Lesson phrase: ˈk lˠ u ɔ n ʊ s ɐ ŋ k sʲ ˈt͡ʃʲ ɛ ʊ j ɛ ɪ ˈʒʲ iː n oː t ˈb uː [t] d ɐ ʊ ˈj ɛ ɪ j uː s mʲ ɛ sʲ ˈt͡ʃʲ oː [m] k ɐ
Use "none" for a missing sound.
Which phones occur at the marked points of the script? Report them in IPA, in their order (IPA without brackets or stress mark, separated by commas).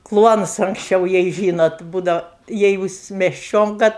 none, ŋ